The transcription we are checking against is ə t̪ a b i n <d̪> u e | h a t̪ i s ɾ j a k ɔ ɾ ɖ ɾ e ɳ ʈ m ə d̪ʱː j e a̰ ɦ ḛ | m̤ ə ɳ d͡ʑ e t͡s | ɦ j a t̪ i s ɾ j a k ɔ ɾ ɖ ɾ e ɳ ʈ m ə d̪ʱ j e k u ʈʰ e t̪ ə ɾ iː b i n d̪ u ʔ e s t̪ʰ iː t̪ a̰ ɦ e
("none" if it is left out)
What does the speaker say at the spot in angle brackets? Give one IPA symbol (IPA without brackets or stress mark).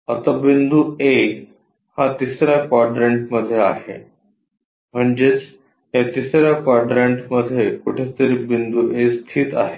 d̪